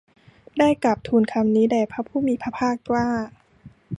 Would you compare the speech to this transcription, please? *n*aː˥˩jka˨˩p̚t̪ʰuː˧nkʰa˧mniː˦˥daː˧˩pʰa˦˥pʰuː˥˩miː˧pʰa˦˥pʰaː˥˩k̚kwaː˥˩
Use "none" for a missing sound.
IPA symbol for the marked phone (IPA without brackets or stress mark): d